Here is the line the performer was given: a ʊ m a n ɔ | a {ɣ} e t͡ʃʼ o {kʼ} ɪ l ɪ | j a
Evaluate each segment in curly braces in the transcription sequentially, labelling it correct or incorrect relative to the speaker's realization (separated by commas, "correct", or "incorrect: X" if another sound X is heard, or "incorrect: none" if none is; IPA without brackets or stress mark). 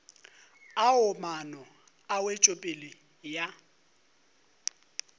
incorrect: w, incorrect: pʼ